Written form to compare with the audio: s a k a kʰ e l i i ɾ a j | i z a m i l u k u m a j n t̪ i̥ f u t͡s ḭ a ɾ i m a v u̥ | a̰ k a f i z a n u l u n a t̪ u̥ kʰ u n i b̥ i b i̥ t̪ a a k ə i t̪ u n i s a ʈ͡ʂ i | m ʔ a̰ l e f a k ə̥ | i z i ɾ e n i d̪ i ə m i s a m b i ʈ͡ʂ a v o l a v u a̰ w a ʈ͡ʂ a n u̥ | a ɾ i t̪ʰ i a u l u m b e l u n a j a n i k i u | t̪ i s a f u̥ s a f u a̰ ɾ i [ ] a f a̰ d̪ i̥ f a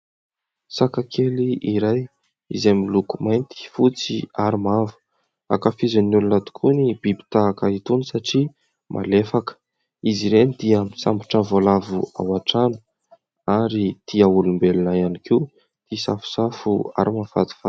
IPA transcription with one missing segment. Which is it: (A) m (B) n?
A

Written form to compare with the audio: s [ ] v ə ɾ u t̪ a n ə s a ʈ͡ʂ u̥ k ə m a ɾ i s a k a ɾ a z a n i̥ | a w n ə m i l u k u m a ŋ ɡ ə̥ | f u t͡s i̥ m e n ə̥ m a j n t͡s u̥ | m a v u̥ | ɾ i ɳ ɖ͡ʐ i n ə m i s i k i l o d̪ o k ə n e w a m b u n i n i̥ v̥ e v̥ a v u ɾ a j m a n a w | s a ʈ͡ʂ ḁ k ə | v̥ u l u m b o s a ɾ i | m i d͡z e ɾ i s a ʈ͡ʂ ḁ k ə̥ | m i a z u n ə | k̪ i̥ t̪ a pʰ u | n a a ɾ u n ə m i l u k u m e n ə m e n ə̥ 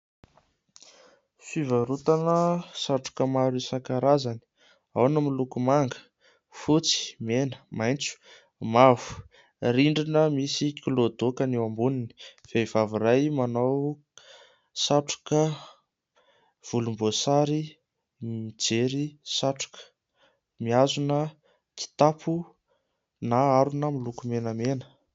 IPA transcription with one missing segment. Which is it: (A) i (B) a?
A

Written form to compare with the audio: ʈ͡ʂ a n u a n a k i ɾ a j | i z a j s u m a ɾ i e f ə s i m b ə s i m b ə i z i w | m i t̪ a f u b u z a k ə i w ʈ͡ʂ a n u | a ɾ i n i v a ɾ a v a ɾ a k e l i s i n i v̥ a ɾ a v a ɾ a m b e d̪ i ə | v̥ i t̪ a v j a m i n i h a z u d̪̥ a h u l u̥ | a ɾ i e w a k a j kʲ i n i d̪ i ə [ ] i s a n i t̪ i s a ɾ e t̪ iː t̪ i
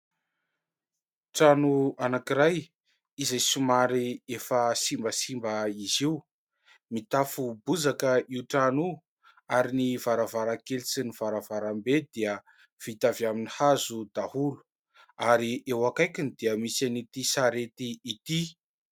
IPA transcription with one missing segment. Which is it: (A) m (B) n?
A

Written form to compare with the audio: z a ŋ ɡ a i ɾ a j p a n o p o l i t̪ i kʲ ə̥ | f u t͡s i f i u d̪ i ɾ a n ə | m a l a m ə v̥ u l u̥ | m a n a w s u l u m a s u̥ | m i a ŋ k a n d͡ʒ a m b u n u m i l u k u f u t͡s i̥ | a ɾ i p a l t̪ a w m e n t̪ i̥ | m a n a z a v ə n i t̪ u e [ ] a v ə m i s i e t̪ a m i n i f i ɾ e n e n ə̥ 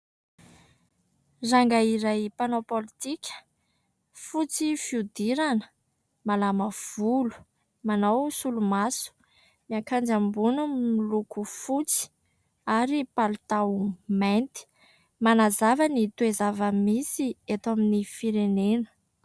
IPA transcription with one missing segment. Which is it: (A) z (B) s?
A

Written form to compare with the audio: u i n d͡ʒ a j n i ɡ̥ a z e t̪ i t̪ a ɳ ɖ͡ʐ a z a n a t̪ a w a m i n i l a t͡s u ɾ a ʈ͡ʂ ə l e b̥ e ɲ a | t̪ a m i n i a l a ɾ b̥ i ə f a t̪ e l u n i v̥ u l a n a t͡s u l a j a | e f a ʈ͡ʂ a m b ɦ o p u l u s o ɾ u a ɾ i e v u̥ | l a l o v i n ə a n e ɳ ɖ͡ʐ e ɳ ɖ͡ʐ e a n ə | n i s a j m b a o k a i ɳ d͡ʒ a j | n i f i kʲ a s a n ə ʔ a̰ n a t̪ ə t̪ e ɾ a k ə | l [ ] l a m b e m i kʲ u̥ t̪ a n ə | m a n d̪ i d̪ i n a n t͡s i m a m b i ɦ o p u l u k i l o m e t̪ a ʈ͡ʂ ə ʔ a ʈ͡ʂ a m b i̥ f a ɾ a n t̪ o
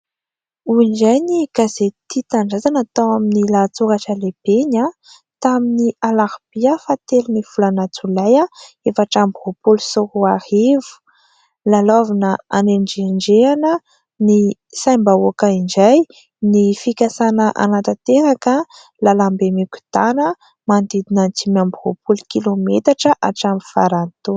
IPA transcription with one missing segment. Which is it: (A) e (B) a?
B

